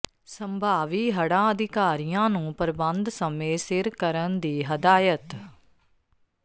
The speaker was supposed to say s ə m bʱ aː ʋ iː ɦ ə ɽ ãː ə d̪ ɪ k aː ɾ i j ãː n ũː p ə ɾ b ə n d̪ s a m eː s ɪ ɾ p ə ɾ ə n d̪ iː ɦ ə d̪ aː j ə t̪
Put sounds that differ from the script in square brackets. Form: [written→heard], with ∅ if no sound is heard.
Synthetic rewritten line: s ə m bʱ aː ʋ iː ɦ ə ɽ ãː ə d̪ ɪ k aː ɾ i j ãː n ũː p ə ɾ b ə n d̪ s [a→ə] m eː s ɪ ɾ [p→k] ə ɾ ə n d̪ iː ɦ ə d̪ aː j ə t̪